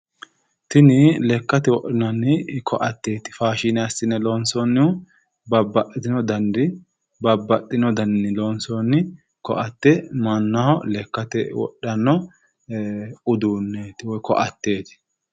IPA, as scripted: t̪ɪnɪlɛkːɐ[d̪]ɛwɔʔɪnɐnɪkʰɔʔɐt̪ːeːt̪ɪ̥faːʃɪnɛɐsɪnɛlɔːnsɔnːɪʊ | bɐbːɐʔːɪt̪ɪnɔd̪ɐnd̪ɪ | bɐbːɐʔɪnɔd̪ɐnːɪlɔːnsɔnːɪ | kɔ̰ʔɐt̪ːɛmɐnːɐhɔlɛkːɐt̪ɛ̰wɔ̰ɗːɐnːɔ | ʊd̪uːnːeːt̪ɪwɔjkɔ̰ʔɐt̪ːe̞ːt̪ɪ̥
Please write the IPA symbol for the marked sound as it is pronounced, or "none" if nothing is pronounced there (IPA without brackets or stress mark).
t̪